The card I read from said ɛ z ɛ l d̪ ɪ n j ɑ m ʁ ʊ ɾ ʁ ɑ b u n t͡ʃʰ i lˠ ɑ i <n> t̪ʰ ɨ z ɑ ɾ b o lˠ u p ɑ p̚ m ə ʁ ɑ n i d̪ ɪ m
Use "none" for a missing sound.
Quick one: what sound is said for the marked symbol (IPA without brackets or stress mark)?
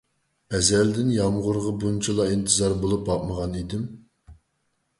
n